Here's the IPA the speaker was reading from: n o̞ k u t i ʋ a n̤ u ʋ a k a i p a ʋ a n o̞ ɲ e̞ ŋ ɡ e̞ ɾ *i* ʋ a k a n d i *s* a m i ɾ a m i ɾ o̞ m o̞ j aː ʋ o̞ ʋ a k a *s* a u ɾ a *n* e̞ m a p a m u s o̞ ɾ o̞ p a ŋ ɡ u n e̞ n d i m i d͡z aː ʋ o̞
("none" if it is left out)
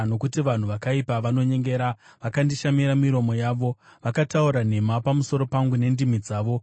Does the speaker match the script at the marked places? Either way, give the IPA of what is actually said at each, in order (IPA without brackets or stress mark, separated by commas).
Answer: a, ʃ, t, n